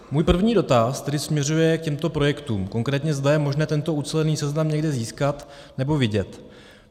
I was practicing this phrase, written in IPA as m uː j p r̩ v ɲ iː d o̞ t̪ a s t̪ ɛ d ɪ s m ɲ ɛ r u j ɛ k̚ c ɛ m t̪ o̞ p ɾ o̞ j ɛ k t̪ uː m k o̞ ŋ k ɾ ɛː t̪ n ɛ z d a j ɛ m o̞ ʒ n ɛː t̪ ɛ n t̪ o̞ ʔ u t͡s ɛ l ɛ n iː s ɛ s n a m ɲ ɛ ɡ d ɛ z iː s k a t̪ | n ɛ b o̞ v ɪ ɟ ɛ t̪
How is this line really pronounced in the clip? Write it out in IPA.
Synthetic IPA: m uː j p r̩ v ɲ iː d o̞ t̪ a s t̪ ɛ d ɪ s m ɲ ɛ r u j ɛ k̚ c ɛ m t̪ o̞ p ɾ o̞ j ɛ k t̪ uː m k o̞ ŋ k ɾ ɛː t̪ ɲ ɛ z d a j ɛ m o̞ ʒ n ɛː t̪ ɛ n t̪ o̞ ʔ u t͡s ɛ l ɛ n iː s ɛ z n a m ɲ ɛ ɡ d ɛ z iː s k a t̪ | n ɛ b o̞ v ɪ ɟ ɛ t̪